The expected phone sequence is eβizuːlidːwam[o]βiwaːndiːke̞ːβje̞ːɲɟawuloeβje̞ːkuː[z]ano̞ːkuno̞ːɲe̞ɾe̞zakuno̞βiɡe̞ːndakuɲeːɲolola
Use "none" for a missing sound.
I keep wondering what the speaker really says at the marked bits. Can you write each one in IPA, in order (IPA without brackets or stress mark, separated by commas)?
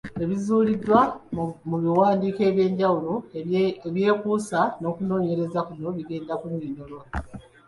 u, s